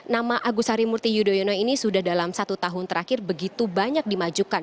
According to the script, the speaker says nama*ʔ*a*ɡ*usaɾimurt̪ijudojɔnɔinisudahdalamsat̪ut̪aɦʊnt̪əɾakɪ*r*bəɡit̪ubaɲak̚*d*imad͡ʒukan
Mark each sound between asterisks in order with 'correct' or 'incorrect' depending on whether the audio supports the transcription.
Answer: correct, correct, correct, correct

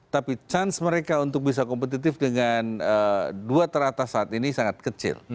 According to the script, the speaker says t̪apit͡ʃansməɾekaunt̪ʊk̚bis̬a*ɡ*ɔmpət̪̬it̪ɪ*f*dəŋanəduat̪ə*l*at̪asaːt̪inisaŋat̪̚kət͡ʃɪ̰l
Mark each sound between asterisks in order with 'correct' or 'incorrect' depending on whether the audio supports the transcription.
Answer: incorrect: k, correct, incorrect: ɾ

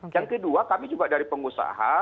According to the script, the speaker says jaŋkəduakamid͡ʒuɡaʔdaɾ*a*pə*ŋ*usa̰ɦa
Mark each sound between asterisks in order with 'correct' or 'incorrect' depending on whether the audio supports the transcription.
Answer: incorrect: i, correct

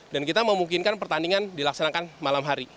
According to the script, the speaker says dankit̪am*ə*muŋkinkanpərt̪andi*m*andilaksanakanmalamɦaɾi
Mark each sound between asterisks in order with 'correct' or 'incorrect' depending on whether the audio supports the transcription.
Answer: correct, incorrect: ŋ

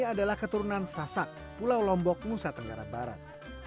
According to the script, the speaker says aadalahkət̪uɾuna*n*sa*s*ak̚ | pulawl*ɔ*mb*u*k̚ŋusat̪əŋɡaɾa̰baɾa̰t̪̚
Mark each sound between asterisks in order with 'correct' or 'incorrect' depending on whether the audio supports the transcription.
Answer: correct, correct, correct, incorrect: ɔ

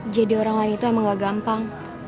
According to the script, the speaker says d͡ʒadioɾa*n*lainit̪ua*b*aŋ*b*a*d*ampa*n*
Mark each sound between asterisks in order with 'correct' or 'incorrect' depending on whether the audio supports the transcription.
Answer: incorrect: ŋ, incorrect: m, incorrect: ɡ, incorrect: ɡ, incorrect: ŋ

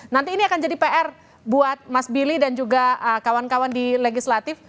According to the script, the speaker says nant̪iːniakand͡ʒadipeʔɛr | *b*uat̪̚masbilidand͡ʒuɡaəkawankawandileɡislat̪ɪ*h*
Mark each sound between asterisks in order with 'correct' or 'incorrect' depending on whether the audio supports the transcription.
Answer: correct, incorrect: f

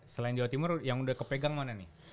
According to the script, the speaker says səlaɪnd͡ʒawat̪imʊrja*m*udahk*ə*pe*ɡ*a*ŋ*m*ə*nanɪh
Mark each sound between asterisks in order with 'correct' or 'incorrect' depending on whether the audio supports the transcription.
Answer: incorrect: ŋ, correct, correct, correct, incorrect: a

